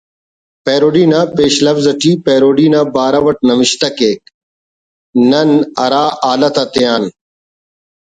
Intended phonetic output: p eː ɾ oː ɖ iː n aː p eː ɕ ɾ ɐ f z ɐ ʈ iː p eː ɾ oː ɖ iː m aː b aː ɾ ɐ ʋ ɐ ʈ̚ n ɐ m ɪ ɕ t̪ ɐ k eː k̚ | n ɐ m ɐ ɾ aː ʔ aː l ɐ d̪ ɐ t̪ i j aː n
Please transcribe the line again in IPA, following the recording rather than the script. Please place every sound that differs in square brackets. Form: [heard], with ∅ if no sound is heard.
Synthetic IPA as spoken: p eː ɾ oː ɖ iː n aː p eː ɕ [l] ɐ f z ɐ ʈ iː p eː ɾ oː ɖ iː [n] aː b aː ɾ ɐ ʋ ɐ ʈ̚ n ɐ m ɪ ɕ t̪ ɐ k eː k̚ | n ɐ [n] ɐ ɾ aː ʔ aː l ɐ [t̪] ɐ t̪ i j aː n